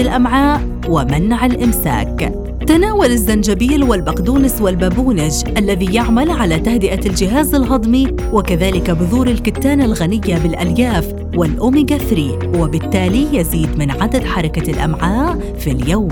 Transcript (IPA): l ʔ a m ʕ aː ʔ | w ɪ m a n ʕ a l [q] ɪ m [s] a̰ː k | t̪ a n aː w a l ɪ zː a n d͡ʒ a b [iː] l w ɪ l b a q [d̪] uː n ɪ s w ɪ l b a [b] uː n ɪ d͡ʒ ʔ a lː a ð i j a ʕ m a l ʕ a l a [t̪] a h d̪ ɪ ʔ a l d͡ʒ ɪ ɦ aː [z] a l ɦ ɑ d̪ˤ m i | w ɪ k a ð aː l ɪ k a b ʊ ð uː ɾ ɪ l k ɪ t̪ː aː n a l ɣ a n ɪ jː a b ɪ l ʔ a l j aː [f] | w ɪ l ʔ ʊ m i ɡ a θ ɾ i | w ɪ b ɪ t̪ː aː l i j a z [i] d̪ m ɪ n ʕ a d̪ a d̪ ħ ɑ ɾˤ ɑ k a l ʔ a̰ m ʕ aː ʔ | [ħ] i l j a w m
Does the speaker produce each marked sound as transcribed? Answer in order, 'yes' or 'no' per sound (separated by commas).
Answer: no, yes, yes, yes, yes, yes, yes, yes, no, no